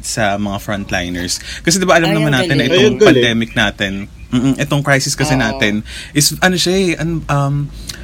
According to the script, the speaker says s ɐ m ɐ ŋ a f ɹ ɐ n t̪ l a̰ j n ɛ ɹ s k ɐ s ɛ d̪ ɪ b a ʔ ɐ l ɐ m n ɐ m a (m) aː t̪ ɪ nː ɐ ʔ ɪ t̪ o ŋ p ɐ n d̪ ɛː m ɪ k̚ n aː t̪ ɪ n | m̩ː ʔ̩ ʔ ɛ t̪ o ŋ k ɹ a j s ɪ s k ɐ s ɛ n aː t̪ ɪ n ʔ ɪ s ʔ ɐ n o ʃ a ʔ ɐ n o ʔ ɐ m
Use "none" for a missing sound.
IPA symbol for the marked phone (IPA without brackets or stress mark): n